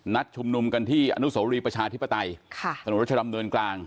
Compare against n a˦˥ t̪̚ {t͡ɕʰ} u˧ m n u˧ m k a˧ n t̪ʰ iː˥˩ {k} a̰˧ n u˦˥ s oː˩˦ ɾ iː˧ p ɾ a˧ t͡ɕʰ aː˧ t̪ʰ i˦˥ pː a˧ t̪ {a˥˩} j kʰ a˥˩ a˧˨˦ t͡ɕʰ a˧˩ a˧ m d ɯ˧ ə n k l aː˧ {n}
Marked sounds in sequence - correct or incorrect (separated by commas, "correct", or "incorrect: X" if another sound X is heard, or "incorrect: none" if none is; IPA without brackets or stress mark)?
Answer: correct, incorrect: ʔ, incorrect: a˧, incorrect: ŋ